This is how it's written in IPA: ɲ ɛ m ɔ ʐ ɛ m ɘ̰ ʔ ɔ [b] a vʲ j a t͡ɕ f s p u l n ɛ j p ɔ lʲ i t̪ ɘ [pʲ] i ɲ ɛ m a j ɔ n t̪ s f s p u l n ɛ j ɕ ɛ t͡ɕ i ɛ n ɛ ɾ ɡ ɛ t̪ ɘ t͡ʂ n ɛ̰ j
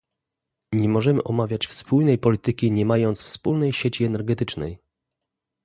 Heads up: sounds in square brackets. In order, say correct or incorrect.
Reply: incorrect, incorrect

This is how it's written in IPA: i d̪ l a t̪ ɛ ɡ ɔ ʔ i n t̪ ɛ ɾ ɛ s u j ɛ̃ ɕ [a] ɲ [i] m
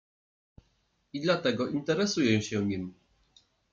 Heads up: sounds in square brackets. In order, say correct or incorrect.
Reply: incorrect, correct

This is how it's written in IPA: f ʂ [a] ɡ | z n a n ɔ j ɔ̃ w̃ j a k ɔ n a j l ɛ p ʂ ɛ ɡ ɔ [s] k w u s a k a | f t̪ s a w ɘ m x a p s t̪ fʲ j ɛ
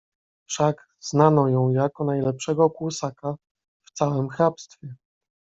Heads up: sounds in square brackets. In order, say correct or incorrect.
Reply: correct, incorrect

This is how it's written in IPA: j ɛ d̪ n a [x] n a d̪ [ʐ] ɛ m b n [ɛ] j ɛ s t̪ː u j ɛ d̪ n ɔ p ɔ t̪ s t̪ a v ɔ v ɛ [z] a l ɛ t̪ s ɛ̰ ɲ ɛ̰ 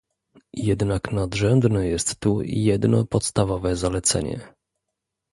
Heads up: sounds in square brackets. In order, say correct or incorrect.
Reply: incorrect, correct, correct, correct

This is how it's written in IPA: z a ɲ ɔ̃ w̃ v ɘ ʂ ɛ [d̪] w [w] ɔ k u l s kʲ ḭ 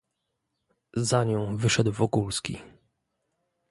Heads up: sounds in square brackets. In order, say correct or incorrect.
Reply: correct, incorrect

